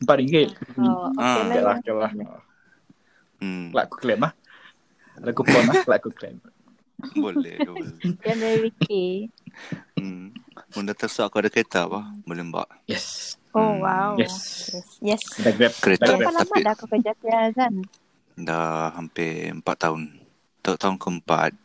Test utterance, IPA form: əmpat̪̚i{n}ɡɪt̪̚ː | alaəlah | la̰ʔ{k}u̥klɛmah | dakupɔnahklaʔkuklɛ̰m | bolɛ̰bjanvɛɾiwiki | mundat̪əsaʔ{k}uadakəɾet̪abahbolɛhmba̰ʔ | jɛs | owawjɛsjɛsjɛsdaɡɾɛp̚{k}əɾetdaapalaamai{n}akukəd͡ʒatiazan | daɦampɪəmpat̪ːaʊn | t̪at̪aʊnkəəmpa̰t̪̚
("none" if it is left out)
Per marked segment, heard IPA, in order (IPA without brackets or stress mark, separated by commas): ŋ, k, k, k, d